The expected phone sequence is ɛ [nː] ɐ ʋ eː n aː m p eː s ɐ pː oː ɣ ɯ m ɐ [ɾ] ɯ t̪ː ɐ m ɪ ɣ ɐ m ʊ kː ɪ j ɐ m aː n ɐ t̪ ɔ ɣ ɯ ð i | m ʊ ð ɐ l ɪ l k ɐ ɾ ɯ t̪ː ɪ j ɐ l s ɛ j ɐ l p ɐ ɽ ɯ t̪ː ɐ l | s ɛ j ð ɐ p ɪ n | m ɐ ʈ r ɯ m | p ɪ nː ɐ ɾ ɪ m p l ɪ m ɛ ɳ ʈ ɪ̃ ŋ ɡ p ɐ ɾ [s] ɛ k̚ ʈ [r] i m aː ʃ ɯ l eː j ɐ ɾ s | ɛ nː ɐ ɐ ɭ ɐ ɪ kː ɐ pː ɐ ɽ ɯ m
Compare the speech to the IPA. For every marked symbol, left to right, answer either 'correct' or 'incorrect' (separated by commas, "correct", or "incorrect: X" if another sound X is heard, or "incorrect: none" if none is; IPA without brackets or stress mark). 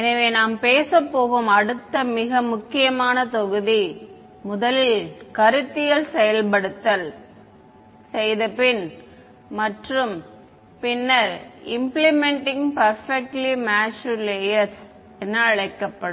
incorrect: n, incorrect: ɽ, incorrect: f, incorrect: l